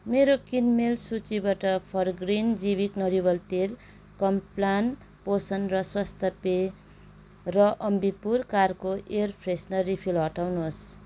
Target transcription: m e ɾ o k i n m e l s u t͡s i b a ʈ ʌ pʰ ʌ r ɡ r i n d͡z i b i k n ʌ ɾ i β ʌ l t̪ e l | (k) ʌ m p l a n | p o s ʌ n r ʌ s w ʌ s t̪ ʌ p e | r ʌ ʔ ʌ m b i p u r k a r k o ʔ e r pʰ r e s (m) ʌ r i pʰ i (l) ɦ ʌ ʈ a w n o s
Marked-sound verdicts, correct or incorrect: correct, incorrect: n, correct

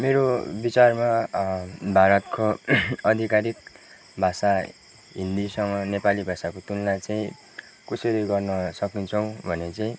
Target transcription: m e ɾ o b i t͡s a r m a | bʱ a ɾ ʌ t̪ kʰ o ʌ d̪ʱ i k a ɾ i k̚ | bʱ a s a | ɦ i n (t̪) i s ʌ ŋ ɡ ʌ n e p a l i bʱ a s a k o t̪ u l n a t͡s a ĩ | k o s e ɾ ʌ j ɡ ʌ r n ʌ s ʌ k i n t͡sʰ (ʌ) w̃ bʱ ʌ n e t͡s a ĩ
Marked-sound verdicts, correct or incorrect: incorrect: d̪, correct

